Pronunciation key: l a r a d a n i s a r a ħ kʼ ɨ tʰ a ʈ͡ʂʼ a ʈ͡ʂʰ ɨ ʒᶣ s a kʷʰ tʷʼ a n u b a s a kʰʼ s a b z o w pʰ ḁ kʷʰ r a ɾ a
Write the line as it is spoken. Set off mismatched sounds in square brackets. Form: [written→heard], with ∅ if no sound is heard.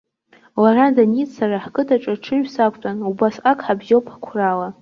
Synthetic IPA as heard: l a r a d a n i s a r a ħ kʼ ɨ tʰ a ʈ͡ʂʼ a ʈ͡ʂʰ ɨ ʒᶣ s a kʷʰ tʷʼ a n u b a s a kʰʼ [s→ħ] a b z o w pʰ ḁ kʷʰ r a [ɾ→l] a